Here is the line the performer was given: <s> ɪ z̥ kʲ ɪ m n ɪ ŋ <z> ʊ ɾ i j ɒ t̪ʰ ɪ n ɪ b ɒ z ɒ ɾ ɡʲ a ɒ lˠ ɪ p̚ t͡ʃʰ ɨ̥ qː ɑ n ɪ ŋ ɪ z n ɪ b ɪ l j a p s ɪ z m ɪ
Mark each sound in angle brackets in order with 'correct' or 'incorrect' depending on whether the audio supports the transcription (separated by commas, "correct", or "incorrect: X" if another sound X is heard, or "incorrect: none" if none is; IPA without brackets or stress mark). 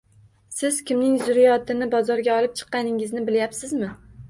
correct, correct